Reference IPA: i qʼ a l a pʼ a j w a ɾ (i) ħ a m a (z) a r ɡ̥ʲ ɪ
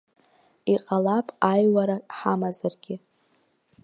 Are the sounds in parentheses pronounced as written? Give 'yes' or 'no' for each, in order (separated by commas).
no, yes